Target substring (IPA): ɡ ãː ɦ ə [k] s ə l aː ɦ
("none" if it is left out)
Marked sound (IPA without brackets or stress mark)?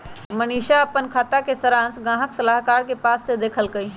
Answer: k